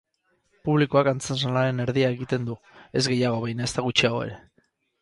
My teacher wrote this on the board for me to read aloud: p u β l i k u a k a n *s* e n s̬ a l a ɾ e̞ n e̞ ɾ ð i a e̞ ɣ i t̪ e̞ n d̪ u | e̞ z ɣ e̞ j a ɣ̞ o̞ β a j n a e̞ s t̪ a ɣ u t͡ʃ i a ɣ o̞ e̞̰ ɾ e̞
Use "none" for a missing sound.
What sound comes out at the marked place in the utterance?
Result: t͡s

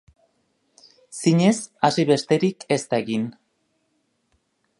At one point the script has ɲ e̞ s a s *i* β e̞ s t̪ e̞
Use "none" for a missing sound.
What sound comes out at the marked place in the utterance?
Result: i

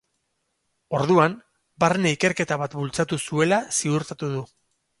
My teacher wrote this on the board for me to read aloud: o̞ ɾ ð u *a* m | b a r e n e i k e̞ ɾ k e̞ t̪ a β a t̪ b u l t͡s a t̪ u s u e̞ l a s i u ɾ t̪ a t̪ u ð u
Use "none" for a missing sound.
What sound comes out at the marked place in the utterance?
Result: a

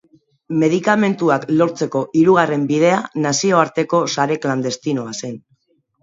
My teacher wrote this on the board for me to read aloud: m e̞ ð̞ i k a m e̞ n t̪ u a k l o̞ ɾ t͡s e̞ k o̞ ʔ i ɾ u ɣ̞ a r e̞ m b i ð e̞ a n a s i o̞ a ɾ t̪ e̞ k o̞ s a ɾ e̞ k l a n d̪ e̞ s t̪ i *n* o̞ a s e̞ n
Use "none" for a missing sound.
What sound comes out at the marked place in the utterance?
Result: n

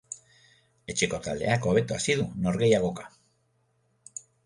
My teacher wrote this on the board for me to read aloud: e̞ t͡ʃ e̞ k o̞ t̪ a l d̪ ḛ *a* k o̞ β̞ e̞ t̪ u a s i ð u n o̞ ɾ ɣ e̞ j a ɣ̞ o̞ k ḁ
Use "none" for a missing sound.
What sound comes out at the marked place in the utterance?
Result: a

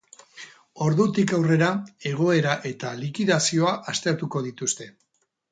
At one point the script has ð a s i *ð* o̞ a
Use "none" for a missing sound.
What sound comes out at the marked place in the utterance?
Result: none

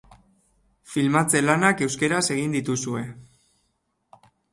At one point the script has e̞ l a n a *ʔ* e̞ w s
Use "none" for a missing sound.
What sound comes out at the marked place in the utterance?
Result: k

